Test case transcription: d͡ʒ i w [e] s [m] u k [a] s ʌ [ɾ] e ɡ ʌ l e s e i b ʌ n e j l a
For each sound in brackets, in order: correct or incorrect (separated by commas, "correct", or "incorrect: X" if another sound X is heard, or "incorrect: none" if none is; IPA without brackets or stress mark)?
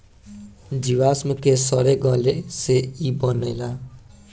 incorrect: a, correct, incorrect: e, correct